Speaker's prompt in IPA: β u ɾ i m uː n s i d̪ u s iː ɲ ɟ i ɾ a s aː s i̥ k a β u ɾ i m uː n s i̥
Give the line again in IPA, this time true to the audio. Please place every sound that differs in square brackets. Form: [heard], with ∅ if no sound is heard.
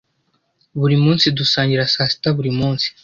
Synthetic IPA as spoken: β u ɾ i m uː n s i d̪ u s [aː] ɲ ɟ i ɾ a s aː s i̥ [t] a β u ɾ i m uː n s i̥